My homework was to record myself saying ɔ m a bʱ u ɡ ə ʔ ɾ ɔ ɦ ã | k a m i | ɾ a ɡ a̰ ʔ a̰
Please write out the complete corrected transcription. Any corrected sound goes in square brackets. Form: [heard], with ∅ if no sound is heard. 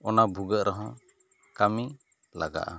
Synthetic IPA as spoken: ɔ [n] a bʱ u ɡ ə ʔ ɾ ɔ ɦ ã | k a m i | [l] a ɡ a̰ ʔ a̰